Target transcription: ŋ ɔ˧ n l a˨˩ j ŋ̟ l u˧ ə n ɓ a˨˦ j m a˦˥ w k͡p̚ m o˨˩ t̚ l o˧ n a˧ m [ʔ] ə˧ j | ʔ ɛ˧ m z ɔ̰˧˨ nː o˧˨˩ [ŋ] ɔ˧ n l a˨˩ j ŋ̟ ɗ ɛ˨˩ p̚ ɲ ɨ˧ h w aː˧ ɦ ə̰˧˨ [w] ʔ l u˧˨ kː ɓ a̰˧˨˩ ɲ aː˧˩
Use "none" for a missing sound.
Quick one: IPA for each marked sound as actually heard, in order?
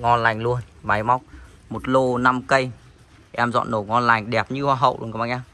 k, ŋ, w

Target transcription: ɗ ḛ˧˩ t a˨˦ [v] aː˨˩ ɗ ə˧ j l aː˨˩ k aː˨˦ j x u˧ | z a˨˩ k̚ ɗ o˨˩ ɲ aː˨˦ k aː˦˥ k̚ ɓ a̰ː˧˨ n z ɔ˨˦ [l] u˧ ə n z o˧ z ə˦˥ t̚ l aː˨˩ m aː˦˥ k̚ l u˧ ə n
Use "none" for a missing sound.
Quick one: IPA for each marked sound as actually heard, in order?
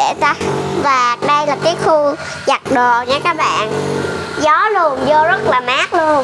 v, l

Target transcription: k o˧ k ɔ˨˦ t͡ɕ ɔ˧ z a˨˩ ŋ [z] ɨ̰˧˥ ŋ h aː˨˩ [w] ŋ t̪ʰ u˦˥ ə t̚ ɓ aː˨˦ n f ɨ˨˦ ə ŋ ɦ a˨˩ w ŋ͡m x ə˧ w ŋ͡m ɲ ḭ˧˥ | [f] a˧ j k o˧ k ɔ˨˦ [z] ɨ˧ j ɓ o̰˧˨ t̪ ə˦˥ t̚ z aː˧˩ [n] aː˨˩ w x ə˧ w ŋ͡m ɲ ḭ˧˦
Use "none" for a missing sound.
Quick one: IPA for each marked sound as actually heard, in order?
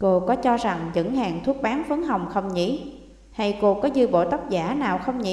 z, none, h, z, n

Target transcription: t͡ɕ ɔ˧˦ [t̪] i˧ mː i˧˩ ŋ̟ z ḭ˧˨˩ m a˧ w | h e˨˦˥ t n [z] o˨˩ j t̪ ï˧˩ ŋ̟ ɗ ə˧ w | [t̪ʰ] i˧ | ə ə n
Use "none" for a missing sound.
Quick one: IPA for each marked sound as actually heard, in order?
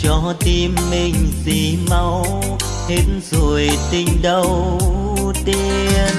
t̪, z, t̪

